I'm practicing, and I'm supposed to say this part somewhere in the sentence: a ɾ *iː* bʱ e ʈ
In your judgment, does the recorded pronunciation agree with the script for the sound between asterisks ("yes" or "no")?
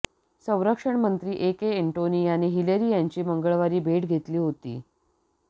yes